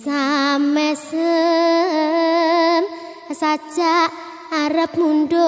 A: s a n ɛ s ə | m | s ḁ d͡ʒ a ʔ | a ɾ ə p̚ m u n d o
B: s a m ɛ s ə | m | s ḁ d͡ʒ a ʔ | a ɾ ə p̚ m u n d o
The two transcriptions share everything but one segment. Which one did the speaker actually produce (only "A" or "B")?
B